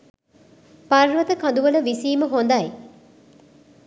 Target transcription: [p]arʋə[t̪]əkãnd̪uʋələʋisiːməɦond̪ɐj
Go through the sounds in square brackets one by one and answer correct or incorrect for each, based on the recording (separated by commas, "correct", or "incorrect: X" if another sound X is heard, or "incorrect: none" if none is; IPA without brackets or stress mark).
correct, correct